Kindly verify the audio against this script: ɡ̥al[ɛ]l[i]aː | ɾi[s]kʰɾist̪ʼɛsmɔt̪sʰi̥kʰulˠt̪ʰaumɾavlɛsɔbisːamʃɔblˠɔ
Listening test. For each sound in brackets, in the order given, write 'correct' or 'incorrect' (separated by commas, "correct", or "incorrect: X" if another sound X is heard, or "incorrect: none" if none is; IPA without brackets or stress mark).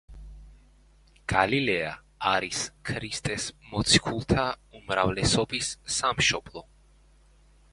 incorrect: i, incorrect: ɛ, correct